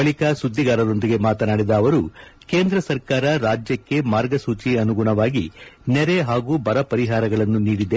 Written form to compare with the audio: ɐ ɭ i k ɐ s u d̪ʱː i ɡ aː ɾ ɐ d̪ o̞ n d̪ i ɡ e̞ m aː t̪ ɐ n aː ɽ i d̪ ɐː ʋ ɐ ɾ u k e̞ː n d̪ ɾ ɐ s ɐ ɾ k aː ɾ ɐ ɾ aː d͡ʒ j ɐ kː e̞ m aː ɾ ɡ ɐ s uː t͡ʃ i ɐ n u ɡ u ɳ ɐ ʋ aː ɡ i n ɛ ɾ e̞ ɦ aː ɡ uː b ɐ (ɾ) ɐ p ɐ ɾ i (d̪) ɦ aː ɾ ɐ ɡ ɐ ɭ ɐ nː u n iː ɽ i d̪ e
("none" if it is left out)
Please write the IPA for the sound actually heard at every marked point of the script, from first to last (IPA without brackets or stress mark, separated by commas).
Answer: ɾ, none